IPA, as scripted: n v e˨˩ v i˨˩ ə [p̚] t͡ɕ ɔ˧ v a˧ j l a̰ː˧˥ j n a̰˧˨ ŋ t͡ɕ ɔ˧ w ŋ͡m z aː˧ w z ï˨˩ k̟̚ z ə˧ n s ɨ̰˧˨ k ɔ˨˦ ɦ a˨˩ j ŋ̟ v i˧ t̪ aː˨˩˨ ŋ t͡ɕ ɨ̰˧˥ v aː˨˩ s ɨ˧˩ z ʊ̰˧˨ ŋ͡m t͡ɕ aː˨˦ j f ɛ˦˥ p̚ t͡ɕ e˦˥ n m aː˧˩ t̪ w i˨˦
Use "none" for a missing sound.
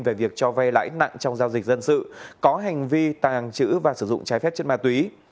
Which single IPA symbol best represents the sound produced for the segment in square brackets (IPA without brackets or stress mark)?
k̚